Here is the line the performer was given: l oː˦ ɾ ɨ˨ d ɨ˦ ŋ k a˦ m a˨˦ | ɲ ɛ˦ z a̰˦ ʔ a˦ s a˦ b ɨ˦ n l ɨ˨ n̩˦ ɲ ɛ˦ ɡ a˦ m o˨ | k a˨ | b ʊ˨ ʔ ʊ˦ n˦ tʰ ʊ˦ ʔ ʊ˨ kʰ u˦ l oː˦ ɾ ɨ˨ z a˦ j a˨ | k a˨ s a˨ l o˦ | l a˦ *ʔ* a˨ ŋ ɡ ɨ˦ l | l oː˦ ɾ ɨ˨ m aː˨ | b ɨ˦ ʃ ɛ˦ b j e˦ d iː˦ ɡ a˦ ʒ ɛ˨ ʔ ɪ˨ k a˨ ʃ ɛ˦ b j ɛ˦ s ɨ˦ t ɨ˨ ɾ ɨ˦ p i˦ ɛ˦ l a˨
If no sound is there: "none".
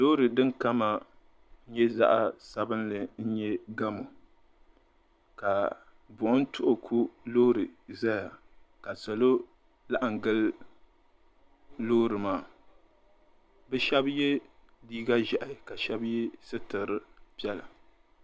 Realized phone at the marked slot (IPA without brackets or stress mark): ʔ